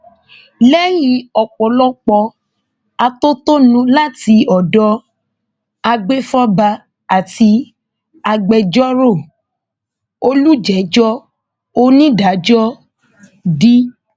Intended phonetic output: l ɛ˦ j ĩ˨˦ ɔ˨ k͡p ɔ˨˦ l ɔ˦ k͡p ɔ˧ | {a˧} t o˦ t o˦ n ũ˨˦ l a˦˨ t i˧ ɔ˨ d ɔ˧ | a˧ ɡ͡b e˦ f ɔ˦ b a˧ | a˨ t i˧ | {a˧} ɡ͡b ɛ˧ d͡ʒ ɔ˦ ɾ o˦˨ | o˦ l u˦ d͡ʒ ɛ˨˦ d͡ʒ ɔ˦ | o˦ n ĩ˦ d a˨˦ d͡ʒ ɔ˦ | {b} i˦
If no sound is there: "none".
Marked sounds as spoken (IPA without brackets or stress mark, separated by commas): a˧, a˧, d